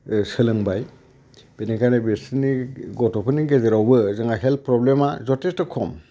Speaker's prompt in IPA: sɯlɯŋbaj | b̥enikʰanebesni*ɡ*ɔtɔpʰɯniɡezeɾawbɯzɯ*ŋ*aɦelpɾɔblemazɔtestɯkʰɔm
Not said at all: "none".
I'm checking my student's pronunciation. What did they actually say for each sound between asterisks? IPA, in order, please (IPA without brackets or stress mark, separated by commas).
ɡ, ŋ